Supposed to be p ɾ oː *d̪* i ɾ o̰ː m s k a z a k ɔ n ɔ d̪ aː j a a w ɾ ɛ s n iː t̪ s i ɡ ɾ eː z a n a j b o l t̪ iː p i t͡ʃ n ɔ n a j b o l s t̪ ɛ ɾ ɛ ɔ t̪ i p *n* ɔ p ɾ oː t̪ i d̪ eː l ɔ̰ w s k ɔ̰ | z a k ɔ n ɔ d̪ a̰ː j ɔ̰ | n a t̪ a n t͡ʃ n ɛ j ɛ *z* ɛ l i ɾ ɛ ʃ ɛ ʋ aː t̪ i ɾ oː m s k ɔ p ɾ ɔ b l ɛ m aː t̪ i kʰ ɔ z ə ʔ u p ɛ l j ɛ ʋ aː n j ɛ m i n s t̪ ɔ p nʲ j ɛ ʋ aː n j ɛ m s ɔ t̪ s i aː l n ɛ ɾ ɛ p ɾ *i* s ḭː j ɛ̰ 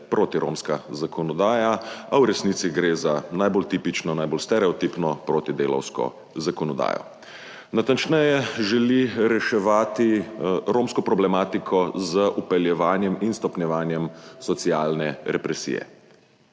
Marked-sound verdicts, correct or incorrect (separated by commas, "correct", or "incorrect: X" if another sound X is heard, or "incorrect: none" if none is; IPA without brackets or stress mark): incorrect: t̪, correct, incorrect: ʒ, incorrect: ɛ